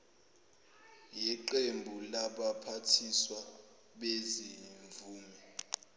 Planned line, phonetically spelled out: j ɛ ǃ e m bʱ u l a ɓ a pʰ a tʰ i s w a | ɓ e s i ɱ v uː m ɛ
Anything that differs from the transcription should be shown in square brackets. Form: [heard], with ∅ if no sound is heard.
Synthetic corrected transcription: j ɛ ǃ e m bʱ u l a ɓ a pʰ a tʰ i s w a | ɓ e [z] i ɱ v uː m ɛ